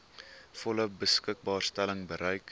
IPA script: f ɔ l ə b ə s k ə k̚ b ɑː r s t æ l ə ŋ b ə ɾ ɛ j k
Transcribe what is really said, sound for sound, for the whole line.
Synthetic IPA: f ɔ l ə b ə s k ə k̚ b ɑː r s t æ l ə ŋ b ə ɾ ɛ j k